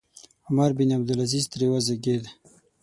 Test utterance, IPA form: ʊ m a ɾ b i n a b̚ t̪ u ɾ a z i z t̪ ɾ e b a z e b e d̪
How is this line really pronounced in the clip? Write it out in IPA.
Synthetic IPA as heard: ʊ m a ɾ b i n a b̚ d̪ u l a z i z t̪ ɾ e w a z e ɡ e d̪